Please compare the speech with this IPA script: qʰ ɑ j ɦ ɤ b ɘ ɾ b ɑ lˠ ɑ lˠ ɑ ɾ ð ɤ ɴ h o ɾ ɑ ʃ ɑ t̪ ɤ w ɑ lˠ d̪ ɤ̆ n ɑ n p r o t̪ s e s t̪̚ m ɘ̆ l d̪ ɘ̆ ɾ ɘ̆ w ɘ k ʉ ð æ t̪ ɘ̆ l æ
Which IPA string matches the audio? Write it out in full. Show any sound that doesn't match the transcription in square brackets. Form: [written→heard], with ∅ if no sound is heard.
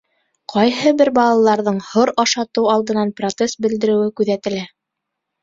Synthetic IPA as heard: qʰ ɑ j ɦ ɤ b ɘ ɾ b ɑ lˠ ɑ lˠ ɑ ɾ ð ɤ ɴ h o ɾ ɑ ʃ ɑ t̪ ɤ w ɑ lˠ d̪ ɤ̆ n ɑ n p r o t̪ s e s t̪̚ [m→b] ɘ̆ l d̪ ɘ̆ ɾ ɘ̆ w ɘ k ʉ ð æ t̪ ɘ̆ l æ